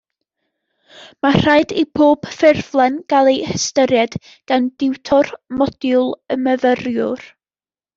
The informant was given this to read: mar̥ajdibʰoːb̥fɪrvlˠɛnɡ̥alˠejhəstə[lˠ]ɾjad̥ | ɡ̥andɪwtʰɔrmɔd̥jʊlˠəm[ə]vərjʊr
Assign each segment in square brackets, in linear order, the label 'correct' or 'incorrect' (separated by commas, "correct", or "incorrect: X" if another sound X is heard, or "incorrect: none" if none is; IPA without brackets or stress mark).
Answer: incorrect: none, correct